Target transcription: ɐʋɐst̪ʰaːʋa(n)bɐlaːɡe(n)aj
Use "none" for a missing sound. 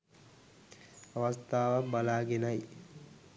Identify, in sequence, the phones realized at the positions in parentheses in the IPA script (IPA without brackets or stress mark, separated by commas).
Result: none, n